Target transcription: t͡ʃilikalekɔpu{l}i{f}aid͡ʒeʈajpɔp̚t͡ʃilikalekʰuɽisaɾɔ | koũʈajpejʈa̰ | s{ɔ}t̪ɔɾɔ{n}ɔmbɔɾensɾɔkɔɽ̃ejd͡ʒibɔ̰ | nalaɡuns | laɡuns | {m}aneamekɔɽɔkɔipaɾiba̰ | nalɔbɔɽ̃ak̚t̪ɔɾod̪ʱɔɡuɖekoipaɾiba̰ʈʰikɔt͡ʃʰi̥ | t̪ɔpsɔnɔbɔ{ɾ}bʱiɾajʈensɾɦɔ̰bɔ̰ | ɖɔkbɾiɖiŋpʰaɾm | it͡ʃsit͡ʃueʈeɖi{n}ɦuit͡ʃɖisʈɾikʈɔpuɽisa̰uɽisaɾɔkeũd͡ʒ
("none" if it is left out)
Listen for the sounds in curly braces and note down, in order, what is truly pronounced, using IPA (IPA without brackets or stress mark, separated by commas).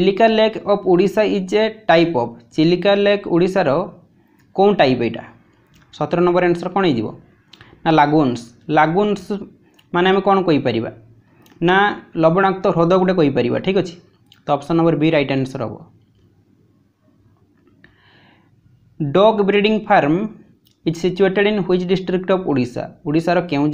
ɽ, s, ɔ, n, m, ɾ, n